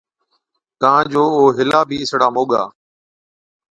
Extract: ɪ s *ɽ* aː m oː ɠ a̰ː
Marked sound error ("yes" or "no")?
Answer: no